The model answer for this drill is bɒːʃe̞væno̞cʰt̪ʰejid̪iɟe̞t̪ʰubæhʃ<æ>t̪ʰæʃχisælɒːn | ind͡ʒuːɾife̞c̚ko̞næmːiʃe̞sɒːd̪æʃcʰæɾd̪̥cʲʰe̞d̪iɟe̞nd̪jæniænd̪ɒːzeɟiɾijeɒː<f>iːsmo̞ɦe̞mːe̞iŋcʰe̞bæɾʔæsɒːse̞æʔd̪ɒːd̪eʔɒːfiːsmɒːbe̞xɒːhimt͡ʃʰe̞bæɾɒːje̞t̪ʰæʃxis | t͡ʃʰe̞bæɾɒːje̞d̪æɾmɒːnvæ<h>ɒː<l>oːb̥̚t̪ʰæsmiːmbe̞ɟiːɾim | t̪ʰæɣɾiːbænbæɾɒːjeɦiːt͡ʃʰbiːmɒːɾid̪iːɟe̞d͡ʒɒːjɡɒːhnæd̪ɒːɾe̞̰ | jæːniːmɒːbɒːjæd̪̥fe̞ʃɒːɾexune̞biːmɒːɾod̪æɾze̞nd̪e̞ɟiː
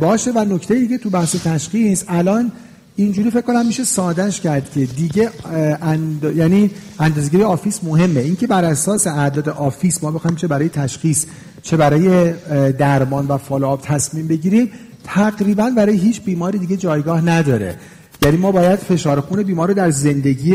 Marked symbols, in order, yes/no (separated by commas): no, yes, no, yes